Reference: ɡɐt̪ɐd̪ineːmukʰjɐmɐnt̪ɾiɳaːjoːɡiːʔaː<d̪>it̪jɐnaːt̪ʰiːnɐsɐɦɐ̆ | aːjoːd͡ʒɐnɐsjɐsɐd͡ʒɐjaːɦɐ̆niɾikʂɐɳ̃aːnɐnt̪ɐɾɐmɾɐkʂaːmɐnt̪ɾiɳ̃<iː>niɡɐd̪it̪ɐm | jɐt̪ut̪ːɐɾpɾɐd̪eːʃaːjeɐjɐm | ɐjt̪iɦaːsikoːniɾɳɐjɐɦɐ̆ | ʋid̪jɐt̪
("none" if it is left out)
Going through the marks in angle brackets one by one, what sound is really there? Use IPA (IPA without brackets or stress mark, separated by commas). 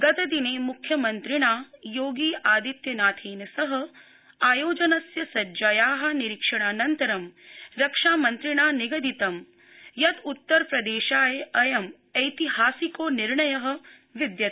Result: d̪, aː